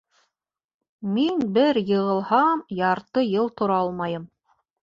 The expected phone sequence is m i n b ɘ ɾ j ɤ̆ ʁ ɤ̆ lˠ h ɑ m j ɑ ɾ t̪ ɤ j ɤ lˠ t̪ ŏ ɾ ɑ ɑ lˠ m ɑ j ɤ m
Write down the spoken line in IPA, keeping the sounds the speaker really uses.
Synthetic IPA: m i n b ɘ ɾ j ɤ̆ ʁ ɤ̆ lˠ h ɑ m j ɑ ɾ t̪ ɤ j ɤ lˠ t̪ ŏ ɾ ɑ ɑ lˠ m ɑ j ɤ m